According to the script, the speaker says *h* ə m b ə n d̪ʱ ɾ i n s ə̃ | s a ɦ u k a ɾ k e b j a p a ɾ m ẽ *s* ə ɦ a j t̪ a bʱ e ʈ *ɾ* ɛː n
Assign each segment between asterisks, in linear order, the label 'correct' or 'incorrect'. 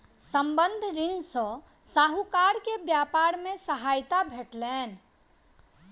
incorrect: s, correct, incorrect: l

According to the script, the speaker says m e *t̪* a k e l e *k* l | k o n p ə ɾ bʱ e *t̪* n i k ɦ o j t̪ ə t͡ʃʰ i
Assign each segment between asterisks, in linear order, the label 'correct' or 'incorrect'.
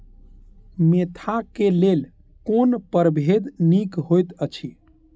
incorrect: t̪ʰ, incorrect: none, incorrect: d̪

